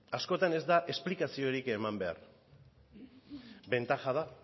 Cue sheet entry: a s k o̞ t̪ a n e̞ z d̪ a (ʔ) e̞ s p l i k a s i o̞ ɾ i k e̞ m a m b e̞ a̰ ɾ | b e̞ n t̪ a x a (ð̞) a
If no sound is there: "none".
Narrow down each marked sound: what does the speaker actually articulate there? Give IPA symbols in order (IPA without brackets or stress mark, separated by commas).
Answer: ʔ, ð̞